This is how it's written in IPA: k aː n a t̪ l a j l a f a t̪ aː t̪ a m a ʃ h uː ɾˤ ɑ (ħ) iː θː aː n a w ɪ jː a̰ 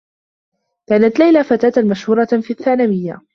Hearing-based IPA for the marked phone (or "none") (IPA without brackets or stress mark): f